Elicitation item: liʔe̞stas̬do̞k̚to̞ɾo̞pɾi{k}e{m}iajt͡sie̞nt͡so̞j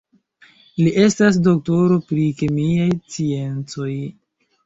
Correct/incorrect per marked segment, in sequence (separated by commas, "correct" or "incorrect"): correct, correct